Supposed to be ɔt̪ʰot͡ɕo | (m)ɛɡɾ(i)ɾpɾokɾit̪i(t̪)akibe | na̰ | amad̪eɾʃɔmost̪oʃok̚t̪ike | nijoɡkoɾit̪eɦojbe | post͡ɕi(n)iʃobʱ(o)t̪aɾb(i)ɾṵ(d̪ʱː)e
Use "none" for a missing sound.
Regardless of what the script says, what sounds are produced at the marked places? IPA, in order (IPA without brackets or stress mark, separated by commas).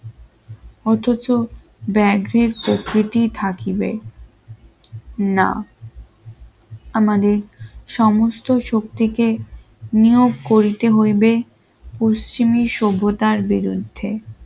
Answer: b, e, t̪ʰ, m, o, i, d̪ʱː